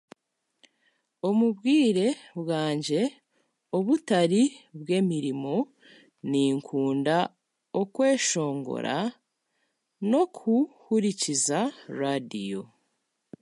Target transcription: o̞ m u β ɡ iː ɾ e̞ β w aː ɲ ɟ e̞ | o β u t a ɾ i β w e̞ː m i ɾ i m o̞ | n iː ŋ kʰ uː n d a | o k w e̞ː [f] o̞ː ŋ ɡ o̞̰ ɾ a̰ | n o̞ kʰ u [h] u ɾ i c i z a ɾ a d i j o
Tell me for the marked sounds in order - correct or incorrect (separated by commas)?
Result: incorrect, correct